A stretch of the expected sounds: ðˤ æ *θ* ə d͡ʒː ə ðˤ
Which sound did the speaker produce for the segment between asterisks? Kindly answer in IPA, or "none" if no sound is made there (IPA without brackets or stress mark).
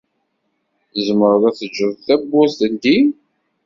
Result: θ